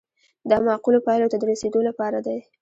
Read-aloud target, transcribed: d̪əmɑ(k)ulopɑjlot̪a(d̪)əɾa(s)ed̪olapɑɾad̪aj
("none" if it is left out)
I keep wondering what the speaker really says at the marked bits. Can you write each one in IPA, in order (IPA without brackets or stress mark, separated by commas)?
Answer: q, d̪, s